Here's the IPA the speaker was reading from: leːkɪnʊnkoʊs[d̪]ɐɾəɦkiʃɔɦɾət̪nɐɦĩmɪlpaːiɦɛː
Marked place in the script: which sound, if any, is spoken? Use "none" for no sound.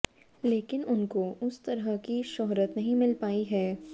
t̪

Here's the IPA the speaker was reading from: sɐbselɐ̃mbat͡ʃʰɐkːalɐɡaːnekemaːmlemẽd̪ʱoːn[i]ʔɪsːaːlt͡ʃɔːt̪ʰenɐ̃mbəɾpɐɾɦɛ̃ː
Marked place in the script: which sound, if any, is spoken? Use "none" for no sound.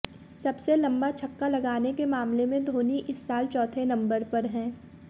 i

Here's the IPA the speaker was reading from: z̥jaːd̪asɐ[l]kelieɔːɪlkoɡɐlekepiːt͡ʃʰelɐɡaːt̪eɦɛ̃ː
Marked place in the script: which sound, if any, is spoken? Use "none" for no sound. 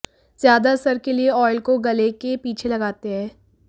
ɾ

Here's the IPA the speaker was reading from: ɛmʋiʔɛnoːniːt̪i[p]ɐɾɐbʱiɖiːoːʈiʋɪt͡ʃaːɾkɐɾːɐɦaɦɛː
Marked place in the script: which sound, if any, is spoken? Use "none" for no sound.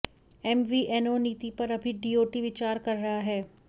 p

